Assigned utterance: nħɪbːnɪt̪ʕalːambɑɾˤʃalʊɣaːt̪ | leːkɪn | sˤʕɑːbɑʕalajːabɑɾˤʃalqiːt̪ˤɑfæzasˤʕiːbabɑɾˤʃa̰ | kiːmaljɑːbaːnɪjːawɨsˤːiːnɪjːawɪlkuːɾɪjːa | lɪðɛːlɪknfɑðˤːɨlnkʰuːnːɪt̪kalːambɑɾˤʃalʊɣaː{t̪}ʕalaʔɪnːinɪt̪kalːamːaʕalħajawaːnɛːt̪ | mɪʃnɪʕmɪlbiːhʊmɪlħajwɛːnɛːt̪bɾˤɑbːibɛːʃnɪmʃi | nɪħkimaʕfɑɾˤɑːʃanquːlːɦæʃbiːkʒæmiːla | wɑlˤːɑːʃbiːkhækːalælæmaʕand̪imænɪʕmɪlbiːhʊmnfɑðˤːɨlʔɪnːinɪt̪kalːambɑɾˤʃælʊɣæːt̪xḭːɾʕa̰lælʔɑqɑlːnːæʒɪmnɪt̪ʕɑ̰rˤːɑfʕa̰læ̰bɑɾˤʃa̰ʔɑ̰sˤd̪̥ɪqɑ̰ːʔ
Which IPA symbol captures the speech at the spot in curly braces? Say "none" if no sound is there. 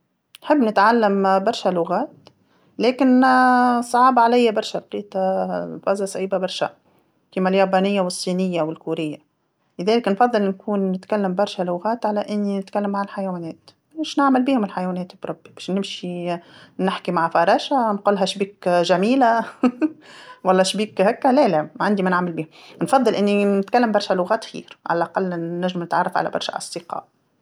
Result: t̪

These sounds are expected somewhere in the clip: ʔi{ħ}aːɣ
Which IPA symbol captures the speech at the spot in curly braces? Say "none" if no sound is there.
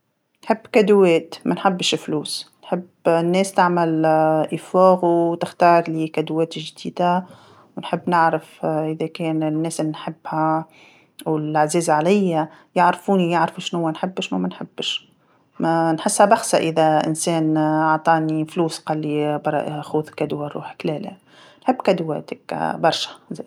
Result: f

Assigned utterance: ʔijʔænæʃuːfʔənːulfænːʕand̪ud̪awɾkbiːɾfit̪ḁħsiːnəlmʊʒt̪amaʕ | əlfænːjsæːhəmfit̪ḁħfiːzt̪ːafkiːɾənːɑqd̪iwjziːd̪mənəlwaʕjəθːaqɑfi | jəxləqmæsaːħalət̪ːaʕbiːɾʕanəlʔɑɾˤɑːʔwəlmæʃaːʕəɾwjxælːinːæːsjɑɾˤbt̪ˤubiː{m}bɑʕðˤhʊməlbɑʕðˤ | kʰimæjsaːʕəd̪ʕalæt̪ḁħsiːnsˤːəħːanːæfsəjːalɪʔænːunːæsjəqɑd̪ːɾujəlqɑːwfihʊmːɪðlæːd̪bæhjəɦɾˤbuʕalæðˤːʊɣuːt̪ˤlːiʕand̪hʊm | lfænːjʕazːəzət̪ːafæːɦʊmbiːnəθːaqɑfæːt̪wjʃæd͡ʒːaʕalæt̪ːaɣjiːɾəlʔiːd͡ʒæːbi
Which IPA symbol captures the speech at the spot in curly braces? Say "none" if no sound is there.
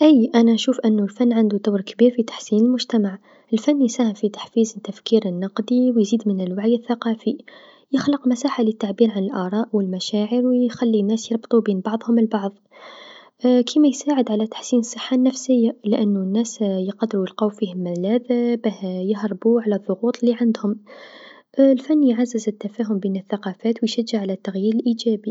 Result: n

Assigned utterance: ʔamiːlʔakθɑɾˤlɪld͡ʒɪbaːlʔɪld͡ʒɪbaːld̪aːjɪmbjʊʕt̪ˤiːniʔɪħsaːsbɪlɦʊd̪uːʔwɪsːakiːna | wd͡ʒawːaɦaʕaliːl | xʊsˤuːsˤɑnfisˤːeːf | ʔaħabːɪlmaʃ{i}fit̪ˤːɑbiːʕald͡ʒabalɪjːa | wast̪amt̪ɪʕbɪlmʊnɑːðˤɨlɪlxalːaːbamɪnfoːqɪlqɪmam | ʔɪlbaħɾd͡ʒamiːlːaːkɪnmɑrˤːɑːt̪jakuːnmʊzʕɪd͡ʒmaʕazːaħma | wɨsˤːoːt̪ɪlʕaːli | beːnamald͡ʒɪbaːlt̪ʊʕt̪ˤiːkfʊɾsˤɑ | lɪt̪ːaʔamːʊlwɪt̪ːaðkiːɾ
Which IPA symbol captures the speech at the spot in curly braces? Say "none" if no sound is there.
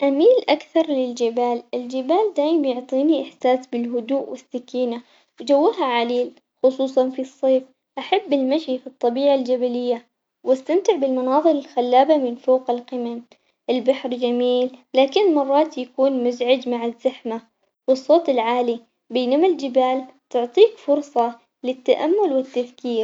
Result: i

